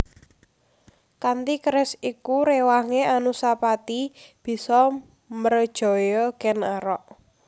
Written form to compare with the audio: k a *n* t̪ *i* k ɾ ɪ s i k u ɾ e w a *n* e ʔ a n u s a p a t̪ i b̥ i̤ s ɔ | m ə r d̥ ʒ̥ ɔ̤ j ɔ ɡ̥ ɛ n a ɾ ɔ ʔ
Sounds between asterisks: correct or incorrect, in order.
correct, correct, incorrect

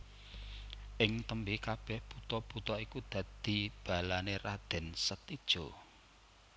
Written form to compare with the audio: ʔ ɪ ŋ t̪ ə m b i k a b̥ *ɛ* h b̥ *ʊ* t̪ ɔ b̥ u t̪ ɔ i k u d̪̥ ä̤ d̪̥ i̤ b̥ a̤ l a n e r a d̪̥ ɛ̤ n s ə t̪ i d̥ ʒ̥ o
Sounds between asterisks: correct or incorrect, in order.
correct, incorrect

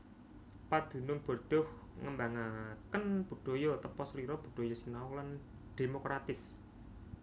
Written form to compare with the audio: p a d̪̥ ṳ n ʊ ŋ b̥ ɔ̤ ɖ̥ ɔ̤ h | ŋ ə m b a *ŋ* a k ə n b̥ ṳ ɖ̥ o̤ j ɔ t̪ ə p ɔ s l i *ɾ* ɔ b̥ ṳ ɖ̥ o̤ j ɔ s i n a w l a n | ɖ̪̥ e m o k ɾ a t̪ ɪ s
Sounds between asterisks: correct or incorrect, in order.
correct, correct

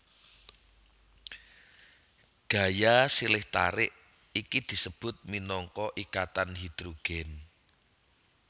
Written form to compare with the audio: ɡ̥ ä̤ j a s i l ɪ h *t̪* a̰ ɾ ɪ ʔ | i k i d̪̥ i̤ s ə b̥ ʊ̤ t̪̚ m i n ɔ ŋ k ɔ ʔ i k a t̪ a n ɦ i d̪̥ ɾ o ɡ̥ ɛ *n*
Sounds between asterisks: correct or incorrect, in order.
correct, correct

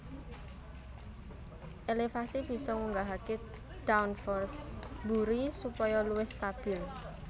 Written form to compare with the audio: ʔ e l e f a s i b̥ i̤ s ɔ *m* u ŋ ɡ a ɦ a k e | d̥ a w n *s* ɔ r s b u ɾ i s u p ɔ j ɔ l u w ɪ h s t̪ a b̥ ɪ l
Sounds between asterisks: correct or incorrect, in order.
incorrect, incorrect

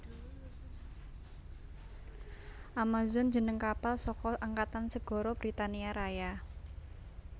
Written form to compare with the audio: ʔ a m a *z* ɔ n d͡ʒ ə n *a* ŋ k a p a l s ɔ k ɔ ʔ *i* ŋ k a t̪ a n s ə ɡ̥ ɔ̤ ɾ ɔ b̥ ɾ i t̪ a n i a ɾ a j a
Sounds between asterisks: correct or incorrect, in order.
correct, incorrect, incorrect

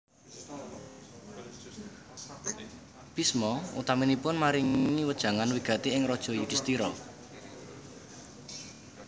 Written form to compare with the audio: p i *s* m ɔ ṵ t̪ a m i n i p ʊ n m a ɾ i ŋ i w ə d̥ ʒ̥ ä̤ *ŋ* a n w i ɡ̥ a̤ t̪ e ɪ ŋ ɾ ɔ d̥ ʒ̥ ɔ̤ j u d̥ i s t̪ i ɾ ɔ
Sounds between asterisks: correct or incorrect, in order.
correct, correct

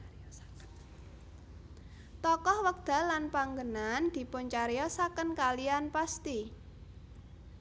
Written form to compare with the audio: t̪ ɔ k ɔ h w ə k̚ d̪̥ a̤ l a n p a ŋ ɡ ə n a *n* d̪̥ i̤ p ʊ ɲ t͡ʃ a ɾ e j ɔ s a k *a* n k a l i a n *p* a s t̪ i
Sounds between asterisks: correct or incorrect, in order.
correct, incorrect, correct

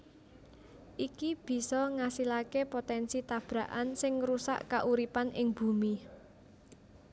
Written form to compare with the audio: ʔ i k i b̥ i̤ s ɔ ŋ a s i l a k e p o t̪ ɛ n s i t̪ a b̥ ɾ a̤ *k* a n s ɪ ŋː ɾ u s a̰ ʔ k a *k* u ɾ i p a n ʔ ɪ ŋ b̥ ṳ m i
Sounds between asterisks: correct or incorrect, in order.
incorrect, incorrect

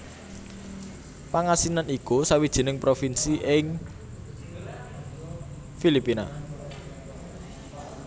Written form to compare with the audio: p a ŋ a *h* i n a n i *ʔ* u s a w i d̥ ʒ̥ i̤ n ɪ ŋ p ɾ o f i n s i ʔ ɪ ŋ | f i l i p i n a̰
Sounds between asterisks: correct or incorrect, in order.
incorrect, incorrect

